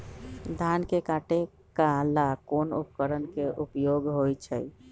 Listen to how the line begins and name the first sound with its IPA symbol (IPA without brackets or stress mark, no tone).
d̪ʱ